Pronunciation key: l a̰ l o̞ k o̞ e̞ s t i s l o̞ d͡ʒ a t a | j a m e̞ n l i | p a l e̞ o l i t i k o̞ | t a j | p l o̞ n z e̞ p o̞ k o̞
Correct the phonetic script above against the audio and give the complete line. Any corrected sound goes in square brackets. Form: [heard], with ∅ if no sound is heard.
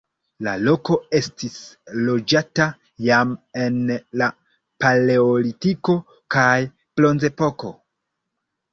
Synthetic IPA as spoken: l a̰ l o̞ k o̞ e̞ s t i s l o̞ d͡ʒ a t a | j a m e̞ n l [a] | p a l e̞ o l i t i k o̞ | [k] a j | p l o̞ n z e̞ p o̞ k o̞